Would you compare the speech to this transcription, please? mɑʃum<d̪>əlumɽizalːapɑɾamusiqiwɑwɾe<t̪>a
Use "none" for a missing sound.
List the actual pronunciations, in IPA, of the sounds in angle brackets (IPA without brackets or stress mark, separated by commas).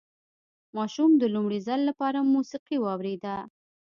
d̪, d̪